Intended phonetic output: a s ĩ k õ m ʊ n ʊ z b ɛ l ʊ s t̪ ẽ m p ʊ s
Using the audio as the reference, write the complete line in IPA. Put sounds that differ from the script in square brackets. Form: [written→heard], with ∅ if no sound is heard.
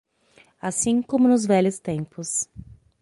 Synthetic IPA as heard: a s ĩ k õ m ʊ n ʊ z [b→v] ɛ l ʊ s t̪ ẽ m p ʊ s

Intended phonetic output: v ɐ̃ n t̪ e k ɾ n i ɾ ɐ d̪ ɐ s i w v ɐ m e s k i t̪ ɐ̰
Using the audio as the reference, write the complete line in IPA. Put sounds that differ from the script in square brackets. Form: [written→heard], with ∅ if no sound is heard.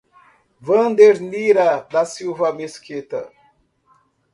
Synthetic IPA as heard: v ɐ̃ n [t̪→d̪] e [k→∅] ɾ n i ɾ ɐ d̪ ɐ s i w v ɐ m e s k i t̪ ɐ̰

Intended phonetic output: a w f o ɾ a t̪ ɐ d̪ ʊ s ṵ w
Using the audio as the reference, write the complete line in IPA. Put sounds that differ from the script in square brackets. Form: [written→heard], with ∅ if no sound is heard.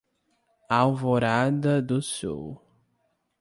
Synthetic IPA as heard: a w [f→v] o ɾ a [t̪→d̪] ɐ d̪ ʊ s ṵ w

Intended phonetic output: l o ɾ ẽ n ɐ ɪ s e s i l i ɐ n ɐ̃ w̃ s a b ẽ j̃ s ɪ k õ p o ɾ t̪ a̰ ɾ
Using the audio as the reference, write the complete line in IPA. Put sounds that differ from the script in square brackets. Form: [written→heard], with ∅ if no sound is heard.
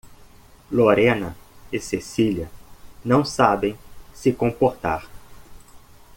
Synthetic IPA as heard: l o ɾ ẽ n ɐ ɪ s e s i l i ɐ n ɐ̃ w̃ s a b ẽ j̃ s ɪ k õ p o ɾ t̪ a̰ ɾ

